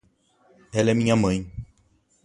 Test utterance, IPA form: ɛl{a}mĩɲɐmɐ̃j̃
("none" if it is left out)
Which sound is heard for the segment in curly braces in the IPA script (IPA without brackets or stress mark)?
ɛ